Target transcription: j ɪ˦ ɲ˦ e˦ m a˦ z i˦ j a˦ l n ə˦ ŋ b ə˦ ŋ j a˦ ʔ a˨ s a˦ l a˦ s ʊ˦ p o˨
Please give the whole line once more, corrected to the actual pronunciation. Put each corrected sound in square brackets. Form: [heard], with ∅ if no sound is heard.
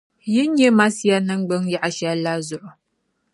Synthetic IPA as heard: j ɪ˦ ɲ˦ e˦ m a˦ [s] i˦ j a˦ [∅] n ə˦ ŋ [ɡ͡b] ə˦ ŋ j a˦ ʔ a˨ [ʃ] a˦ l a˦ [z] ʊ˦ [ʔ] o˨